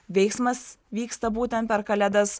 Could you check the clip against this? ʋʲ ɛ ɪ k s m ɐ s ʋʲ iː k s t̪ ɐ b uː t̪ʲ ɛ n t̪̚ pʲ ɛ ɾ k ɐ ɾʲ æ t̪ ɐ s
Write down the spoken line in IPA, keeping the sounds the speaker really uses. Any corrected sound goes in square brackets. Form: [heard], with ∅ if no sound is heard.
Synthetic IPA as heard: ʋʲ ɛ ɪ k s m ɐ s ʋʲ iː k s t̪ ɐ b uː t̪ʲ ɛ n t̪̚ pʲ ɛ ɾ k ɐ [lʲ] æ [d̪] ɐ s

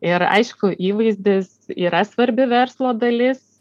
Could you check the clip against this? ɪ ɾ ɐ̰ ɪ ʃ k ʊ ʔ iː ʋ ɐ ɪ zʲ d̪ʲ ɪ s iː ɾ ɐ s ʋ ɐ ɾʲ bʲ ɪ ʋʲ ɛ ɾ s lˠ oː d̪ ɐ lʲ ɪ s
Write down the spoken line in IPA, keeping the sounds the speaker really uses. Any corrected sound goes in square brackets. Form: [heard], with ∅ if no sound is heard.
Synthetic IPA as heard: ɪ ɾ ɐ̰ ɪ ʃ k ʊ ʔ iː ʋ ɐ ɪ zʲ d̪ʲ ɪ s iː ɾ ɐ s ʋ ɐ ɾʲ bʲ ɪ ʋʲ ɛ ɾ s lˠ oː d̪ ɐ lʲ ɪ s

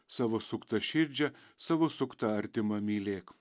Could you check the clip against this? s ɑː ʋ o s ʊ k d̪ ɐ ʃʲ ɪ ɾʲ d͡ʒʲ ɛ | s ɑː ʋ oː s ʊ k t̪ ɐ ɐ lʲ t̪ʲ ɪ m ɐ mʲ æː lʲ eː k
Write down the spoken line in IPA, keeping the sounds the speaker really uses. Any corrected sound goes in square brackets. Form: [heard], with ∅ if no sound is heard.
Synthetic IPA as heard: s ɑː ʋ o s ʊ k [t̪] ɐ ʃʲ ɪ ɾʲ d͡ʒʲ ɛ | s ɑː ʋ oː s ʊ k t̪ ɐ ɐ [ɾʲ] t̪ʲ ɪ m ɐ mʲ [iː] lʲ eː k

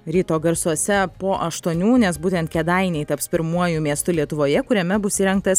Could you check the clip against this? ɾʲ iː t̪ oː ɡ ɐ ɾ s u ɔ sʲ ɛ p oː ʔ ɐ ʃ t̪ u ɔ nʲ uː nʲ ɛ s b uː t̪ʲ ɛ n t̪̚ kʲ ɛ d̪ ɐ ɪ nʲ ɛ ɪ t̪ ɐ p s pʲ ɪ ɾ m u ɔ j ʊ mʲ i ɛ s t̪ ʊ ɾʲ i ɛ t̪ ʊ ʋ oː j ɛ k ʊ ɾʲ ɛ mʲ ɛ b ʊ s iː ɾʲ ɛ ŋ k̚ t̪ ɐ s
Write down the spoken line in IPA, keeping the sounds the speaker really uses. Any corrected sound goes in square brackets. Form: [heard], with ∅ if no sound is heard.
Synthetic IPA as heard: ɾʲ iː t̪ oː ɡ ɐ ɾ s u ɔ sʲ ɛ p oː ʔ ɐ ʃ t̪ u ɔ nʲ uː nʲ ɛ s b uː t̪ʲ ɛ n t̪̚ kʲ ɛ d̪ ɐ ɪ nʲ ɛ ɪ t̪ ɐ p s pʲ ɪ ɾ m u ɔ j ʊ mʲ i ɛ s t̪ ʊ [lʲ] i ɛ t̪ ʊ ʋ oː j ɛ k ʊ ɾʲ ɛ mʲ ɛ b ʊ s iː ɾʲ ɛ ŋ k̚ t̪ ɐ s

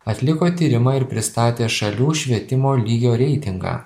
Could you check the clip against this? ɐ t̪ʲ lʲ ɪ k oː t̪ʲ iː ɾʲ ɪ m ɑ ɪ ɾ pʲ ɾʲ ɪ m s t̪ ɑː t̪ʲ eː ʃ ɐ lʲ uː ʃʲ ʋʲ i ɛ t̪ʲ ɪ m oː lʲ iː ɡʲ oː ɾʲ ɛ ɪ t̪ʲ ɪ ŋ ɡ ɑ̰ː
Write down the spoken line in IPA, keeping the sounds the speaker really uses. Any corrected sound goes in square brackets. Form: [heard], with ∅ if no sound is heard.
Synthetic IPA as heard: ɐ t̪ʲ lʲ ɪ k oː t̪ʲ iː ɾʲ ɪ m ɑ ɪ ɾ pʲ ɾʲ ɪ [∅] s t̪ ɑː t̪ʲ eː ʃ ɐ lʲ uː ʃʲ ʋʲ i ɛ t̪ʲ ɪ m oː lʲ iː ɡʲ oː ɾʲ ɛ ɪ t̪ʲ ɪ ŋ ɡ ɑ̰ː

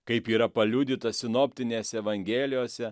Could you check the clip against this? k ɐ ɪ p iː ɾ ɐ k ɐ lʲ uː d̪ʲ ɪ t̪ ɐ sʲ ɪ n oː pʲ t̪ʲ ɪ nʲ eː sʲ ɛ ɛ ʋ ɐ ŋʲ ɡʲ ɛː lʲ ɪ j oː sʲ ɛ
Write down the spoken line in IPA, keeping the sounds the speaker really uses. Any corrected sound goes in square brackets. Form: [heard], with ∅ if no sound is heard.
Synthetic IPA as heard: k ɐ ɪ p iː ɾ ɐ [p] ɐ lʲ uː d̪ʲ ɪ t̪ ɐ sʲ ɪ n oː pʲ t̪ʲ ɪ nʲ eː sʲ ɛ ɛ ʋ ɐ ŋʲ ɡʲ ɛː lʲ ɪ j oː sʲ ɛ

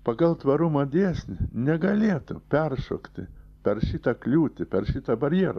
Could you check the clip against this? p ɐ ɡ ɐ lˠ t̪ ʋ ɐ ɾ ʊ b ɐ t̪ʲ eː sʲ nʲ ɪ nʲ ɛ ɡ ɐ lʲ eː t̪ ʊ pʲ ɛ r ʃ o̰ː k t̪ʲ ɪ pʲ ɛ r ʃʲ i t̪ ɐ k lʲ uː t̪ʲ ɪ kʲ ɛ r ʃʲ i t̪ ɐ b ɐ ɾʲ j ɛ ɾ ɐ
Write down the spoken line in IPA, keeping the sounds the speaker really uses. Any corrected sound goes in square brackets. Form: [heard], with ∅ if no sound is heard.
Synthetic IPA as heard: p ɐ ɡ ɐ lˠ t̪ ʋ ɐ ɾ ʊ [m] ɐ [d̪ʲ] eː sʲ nʲ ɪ nʲ ɛ ɡ ɐ lʲ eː t̪ ʊ pʲ ɛ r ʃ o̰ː k t̪ʲ ɪ pʲ ɛ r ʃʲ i t̪ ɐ k lʲ uː t̪ʲ ɪ [pʲ] ɛ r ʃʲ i t̪ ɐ b ɐ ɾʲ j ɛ ɾ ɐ

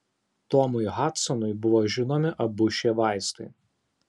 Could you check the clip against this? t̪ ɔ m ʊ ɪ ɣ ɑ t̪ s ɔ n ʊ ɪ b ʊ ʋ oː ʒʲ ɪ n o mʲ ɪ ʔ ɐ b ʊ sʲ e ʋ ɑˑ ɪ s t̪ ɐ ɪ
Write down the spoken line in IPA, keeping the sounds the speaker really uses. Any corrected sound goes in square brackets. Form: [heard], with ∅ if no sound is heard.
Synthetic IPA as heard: t̪ ɔ m ʊ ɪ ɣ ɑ t̪ s ɔ n ʊ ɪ b ʊ ʋ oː ʒʲ ɪ n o mʲ ɪ ʔ ɐ b ʊ [ʃʲ] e ʋ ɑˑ ɪ s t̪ ɐ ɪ

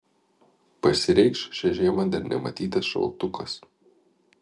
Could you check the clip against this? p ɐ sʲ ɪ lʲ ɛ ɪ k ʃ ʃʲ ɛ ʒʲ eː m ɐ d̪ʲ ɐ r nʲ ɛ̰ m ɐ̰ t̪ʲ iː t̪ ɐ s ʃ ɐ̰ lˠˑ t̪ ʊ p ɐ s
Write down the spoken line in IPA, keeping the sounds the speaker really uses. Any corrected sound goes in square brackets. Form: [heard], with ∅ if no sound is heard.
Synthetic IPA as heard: p ɐ sʲ ɪ [ɾʲ] ɛ ɪ k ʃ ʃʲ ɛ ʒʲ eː m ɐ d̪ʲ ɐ [ɾ] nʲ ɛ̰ m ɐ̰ t̪ʲ iː t̪ ɐ s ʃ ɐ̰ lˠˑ t̪ ʊ [k] ɐ s

